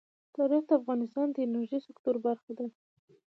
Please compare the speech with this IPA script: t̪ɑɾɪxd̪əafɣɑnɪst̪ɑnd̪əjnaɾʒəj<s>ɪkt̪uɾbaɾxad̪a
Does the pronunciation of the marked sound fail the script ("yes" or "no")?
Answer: no